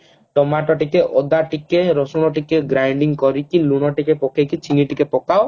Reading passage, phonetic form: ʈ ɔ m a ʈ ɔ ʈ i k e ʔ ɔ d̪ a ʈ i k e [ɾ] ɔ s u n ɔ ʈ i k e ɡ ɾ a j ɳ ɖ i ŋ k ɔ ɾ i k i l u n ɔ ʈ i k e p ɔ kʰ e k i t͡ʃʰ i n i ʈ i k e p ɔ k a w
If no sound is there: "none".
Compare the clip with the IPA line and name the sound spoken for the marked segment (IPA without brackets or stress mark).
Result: ɾ